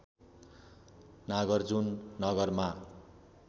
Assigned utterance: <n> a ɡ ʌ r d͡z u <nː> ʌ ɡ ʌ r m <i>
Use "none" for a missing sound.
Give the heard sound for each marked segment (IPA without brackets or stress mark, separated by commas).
n, nː, a